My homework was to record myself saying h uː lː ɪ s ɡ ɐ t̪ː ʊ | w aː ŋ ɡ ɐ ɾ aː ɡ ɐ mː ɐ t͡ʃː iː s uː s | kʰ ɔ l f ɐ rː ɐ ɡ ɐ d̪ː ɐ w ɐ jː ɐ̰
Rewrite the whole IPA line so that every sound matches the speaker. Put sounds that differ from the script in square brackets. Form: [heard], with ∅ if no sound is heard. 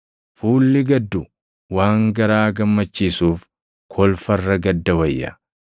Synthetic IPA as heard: [f] uː lː ɪ [∅] ɡ ɐ [d̪ː] ʊ | w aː ŋ ɡ ɐ ɾ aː ɡ ɐ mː ɐ t͡ʃː iː s uː [f] | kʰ ɔ l f ɐ rː ɐ ɡ ɐ d̪ː ɐ w ɐ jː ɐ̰